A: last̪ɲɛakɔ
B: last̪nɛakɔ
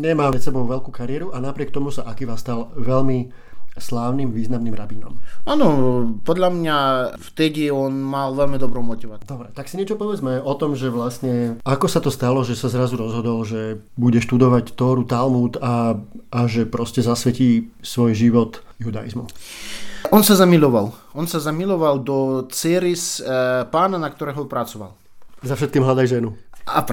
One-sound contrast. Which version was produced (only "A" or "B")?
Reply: A